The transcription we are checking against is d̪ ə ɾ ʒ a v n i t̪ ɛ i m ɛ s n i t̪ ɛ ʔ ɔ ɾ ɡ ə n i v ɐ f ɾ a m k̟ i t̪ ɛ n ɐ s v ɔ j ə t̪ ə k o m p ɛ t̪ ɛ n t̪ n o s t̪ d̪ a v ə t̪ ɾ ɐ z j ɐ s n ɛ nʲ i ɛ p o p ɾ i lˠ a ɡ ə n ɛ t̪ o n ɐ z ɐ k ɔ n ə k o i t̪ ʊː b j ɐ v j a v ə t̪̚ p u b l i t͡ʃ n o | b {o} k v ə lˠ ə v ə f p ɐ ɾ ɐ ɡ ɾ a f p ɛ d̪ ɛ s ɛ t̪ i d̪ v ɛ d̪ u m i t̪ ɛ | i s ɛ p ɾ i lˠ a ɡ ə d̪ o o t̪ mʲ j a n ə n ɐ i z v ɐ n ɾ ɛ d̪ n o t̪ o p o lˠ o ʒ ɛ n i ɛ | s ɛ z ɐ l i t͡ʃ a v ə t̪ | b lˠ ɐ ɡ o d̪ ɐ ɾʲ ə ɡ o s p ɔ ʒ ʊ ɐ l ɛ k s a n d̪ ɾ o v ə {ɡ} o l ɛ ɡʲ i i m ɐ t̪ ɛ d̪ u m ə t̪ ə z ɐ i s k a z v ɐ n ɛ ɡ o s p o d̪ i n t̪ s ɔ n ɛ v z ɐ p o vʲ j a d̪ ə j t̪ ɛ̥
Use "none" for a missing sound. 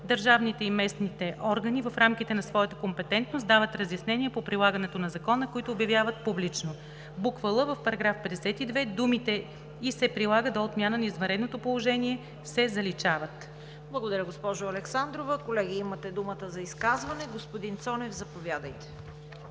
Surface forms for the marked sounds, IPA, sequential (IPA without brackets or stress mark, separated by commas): u, k